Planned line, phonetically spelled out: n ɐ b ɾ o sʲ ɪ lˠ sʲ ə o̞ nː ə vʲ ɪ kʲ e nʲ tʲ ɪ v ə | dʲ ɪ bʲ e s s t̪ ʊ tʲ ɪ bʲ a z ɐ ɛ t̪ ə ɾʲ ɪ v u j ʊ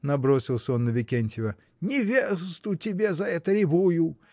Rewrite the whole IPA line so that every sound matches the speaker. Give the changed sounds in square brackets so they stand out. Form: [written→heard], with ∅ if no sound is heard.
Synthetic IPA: n ɐ b ɾ o sʲ ɪ lˠ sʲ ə o̞ nː ə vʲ ɪ kʲ e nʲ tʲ ɪ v ə | [dʲ→nʲ] ɪ [bʲ→vʲ] e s s t̪ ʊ tʲ ɪ bʲ [a→e] z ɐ ɛ t̪ ə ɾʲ ɪ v u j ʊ